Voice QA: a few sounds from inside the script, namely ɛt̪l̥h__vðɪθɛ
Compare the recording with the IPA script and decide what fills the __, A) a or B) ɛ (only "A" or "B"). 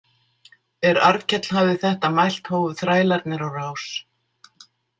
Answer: A